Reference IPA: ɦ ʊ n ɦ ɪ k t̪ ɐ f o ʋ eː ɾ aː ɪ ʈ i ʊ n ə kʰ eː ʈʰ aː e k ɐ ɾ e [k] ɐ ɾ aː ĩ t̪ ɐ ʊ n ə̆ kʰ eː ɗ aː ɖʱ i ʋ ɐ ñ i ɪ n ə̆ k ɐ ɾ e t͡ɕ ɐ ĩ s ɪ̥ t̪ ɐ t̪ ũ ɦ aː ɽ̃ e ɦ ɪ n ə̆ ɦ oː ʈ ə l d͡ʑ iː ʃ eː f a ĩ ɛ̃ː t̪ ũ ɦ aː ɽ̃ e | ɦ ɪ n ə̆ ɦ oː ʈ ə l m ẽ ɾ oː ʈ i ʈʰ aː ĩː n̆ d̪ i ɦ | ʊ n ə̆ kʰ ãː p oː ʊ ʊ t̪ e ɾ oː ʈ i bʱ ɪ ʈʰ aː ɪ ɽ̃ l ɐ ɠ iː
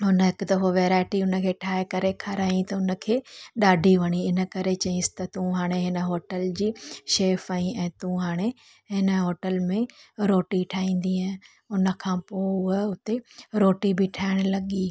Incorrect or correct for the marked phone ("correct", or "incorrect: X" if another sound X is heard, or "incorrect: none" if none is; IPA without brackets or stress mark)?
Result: incorrect: kʰ